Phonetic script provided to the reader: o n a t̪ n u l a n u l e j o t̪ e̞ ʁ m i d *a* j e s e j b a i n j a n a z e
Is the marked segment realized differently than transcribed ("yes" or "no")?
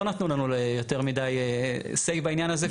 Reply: no